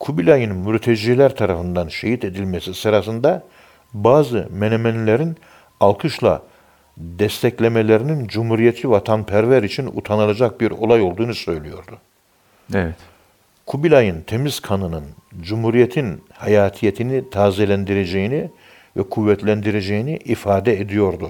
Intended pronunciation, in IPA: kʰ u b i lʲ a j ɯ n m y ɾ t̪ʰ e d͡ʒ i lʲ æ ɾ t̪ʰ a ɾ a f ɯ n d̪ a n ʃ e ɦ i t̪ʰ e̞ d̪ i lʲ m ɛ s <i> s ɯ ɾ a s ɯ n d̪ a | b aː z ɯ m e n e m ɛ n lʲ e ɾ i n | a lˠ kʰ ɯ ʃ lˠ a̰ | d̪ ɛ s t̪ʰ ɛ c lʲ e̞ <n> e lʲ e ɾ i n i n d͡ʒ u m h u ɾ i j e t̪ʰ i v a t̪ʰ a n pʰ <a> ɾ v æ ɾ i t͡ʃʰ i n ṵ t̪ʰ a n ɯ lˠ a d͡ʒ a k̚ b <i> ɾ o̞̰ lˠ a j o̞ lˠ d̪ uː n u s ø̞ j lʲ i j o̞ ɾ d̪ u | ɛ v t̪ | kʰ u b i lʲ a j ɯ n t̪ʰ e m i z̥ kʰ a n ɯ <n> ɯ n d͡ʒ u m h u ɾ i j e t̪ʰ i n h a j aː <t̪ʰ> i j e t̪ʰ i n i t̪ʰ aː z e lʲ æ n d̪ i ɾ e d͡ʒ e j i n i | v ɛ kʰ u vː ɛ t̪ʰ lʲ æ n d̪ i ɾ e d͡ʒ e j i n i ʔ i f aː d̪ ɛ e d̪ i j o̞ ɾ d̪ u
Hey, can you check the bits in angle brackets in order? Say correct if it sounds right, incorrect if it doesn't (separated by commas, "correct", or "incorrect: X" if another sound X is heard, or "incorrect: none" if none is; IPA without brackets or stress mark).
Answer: correct, incorrect: m, incorrect: æ, correct, correct, correct